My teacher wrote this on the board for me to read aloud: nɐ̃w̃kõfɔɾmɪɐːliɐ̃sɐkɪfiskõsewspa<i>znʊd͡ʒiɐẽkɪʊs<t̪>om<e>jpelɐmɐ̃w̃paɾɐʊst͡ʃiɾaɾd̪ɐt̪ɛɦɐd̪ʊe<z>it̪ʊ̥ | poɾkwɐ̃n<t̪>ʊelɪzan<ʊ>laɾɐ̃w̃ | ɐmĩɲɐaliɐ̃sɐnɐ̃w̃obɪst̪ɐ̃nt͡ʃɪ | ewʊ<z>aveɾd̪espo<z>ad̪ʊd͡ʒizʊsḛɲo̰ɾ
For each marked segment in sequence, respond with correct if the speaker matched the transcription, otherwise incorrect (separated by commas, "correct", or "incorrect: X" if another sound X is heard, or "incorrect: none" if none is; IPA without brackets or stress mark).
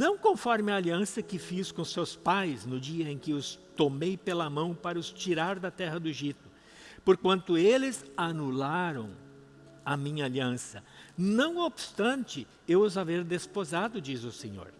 incorrect: j, correct, correct, incorrect: ʒ, correct, incorrect: u, correct, correct